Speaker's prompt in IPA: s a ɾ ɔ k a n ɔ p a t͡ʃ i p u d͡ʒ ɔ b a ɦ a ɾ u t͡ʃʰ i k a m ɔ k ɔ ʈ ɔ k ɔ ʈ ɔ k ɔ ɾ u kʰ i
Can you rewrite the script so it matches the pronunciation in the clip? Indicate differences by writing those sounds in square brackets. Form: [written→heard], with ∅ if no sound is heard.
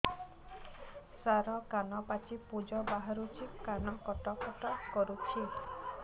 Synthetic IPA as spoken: s a ɾ ɔ k a n ɔ p a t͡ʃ i p u d͡ʒ ɔ b a ɦ a ɾ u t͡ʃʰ i k a [m→n] ɔ k ɔ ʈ ɔ k ɔ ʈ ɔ k ɔ ɾ u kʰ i